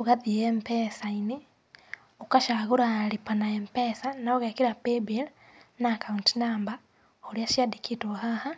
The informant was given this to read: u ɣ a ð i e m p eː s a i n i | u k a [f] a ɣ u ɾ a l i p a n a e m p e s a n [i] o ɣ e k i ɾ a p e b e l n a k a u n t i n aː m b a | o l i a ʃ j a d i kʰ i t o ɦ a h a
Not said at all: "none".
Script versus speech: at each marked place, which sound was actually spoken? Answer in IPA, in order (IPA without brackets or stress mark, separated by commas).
ʃ, a